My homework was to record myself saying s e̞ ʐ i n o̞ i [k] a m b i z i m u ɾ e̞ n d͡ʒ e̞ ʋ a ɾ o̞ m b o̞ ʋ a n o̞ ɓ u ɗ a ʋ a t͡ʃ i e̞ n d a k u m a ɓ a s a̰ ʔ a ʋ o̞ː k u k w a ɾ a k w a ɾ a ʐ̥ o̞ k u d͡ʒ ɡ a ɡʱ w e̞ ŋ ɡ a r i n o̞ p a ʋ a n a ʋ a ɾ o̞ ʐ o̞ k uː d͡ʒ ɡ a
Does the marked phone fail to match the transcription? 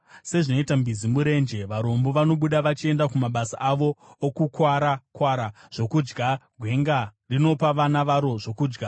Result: yes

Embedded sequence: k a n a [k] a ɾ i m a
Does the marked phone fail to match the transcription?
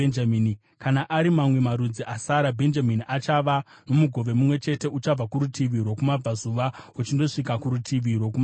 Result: yes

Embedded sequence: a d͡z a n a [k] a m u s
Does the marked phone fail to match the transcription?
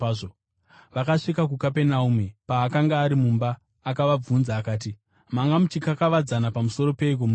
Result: yes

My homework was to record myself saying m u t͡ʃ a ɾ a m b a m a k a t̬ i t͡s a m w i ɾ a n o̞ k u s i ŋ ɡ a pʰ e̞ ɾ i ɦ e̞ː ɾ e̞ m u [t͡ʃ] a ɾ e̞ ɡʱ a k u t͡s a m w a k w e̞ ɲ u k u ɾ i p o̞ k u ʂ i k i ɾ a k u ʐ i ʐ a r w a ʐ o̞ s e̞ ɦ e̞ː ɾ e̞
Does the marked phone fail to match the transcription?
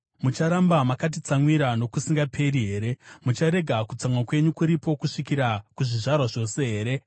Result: no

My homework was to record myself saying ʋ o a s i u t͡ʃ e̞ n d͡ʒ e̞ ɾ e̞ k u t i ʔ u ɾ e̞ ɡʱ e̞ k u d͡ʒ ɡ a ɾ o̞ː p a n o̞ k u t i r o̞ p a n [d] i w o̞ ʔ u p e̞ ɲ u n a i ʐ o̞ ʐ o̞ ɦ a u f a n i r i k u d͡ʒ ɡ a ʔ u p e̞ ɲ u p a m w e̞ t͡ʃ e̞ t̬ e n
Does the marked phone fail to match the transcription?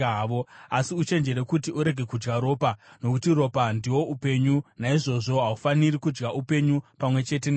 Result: no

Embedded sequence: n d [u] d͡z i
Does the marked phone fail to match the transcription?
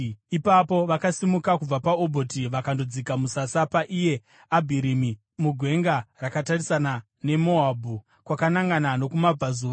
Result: yes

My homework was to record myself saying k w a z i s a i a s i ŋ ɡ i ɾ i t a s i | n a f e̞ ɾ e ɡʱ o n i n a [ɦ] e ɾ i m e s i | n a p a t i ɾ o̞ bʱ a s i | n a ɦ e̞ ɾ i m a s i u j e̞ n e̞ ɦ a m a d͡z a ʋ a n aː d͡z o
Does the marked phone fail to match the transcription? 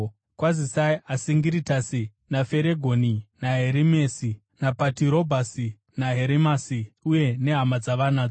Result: no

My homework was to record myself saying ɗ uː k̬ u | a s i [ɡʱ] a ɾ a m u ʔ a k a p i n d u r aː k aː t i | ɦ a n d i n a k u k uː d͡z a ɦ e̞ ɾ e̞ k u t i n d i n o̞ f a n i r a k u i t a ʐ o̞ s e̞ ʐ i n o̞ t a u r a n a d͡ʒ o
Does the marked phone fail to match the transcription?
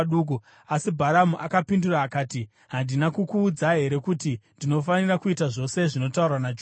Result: yes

